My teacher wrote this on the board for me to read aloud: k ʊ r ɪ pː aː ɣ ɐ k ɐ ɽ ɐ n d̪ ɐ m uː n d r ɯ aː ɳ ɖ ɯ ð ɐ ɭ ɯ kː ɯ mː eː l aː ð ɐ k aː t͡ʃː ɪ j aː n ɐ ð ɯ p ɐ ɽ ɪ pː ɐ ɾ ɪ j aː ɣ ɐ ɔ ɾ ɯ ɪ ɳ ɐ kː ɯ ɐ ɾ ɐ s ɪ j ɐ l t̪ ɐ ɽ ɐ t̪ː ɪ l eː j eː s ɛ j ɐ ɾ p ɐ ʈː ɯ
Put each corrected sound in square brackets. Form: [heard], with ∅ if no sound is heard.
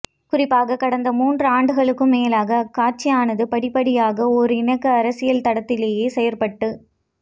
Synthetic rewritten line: k ʊ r ɪ pː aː ɣ ɐ k ɐ ɽ ɐ n d̪ ɐ m uː n d r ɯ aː ɳ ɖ ɯ [ɣ] ɐ ɭ ɯ kː ɯ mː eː l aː [ɣ] ɐ k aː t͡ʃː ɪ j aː n ɐ ð ɯ p ɐ ɽ ɪ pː ɐ [ɽ] ɪ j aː ɣ ɐ ɔ ɾ ɯ ɪ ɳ ɐ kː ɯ ɐ ɾ ɐ s ɪ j ɐ l t̪ ɐ ɽ ɐ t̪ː ɪ l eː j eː s ɛ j ɐ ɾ p ɐ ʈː ɯ